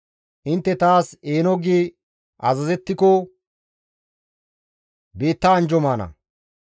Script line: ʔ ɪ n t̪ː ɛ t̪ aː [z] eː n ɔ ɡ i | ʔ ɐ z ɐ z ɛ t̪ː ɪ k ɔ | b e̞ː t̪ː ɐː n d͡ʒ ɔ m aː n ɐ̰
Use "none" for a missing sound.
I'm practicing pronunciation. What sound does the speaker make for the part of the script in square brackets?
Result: s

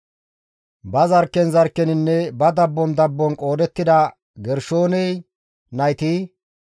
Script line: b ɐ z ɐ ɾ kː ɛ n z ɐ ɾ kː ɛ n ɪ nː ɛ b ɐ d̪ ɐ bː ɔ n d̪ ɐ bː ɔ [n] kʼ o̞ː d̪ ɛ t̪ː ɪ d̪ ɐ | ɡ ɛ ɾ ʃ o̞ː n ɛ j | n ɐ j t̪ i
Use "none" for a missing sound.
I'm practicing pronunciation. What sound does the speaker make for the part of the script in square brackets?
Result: n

